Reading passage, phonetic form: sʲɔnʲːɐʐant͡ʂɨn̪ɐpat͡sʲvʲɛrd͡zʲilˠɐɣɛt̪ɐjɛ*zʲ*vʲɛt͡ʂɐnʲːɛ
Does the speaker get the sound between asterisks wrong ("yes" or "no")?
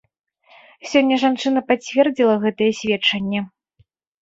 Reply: yes